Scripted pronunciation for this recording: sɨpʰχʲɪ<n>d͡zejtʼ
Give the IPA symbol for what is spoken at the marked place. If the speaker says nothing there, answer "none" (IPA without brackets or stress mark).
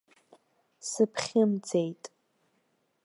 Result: m